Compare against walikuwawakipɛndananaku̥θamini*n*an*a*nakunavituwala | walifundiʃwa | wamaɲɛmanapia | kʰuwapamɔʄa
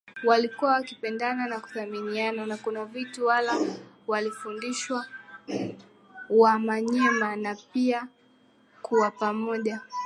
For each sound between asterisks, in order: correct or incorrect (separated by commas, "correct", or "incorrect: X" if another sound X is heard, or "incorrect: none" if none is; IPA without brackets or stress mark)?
incorrect: none, correct